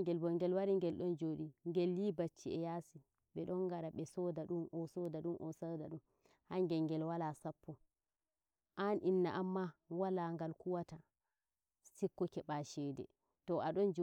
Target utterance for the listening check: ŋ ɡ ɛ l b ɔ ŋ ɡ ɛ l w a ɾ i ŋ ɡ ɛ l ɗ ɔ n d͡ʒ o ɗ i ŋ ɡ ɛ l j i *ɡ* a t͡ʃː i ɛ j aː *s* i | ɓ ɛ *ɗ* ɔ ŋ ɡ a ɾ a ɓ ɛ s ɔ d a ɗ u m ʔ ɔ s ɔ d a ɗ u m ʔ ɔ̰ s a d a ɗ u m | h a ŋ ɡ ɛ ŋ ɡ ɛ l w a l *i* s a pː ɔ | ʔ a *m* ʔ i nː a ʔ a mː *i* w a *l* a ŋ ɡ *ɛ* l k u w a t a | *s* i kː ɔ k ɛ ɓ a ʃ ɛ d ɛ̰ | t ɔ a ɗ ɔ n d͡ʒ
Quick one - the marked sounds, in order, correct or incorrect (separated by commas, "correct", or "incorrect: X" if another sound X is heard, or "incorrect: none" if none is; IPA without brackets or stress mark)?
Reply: incorrect: b, correct, correct, incorrect: a, incorrect: n, incorrect: a, correct, incorrect: a, correct